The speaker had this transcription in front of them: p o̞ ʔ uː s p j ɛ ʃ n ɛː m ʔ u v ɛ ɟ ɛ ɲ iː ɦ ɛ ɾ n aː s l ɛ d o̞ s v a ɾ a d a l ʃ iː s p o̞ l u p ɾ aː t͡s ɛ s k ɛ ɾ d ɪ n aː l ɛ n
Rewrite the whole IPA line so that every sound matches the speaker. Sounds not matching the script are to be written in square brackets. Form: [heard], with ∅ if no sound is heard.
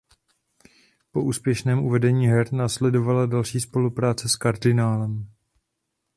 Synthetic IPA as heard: p o̞ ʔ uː s p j ɛ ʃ n ɛː m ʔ u v ɛ [d] ɛ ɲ iː ɦ ɛ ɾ n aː s l ɛ d o̞ [∅] v a [l] a d a l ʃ iː s p o̞ l u p ɾ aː t͡s ɛ s k [a] ɾ d ɪ n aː l ɛ [m]